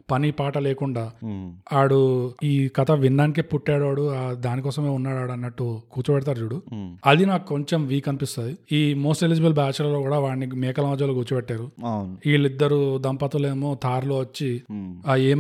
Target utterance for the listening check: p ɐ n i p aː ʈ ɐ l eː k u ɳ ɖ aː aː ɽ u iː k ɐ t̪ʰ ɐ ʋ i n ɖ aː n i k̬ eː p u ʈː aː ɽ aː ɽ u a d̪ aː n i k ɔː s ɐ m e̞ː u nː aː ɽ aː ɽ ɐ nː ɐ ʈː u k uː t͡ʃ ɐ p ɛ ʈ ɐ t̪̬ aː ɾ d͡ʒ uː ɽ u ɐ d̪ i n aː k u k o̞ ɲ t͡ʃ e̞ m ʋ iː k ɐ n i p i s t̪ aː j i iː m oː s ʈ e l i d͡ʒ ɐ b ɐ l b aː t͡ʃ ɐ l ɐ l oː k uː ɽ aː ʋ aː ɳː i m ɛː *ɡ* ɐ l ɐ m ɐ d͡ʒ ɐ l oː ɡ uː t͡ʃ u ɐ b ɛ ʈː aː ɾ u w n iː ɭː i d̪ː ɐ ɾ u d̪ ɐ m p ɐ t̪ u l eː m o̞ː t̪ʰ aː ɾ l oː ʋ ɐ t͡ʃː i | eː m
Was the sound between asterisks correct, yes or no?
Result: no